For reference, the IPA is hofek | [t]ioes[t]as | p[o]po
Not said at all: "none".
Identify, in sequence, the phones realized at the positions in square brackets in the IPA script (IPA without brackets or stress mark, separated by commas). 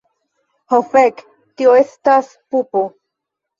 t, t, u